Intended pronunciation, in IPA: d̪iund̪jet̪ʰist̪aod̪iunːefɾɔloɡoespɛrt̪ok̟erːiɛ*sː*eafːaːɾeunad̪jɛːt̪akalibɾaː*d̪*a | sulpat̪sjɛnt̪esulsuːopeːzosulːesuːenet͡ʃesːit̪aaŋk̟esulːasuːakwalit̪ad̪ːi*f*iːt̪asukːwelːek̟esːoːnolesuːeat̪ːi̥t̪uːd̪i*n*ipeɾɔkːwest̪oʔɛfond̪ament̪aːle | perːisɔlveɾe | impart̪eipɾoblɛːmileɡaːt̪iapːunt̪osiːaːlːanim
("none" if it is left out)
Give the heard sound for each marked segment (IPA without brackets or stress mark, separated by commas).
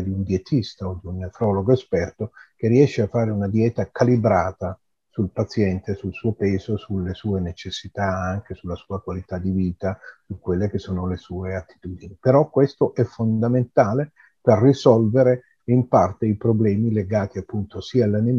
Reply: ʃː, t̪, v, n